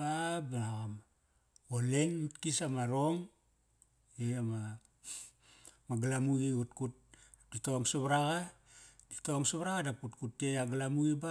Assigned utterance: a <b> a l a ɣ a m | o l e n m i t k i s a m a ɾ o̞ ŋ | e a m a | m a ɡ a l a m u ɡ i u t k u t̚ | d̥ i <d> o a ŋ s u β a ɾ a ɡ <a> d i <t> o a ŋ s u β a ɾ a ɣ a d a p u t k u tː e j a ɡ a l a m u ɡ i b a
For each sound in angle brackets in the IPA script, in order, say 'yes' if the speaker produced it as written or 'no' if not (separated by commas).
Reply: yes, no, yes, yes